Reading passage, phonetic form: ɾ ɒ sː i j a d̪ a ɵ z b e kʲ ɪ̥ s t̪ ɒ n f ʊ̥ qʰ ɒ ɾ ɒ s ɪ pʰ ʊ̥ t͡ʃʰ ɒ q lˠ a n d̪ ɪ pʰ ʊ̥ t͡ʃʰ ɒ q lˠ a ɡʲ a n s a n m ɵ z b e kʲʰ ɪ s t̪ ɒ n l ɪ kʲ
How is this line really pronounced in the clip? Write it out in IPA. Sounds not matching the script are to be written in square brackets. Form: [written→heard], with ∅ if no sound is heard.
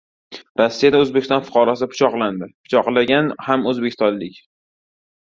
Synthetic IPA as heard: ɾ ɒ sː i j a d̪ a ɵ z b e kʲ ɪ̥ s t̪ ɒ n f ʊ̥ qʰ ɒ ɾ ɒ s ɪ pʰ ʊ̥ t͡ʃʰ ɒ q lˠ a n d̪ ɪ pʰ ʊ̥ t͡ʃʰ ɒ q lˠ a ɡʲ a n [s→h] a [n→∅] m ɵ z b e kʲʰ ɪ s t̪ ɒ n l ɪ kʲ